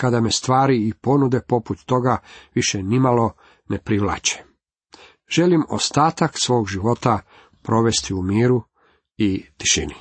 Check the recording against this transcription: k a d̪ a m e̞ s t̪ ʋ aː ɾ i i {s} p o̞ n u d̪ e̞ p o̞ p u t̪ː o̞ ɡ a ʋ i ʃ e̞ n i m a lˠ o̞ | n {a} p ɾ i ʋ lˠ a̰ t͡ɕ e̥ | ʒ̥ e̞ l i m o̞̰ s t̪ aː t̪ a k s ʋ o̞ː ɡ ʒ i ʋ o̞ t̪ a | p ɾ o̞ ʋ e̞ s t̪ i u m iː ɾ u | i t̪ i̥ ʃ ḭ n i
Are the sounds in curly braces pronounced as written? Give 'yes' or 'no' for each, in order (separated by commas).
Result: no, no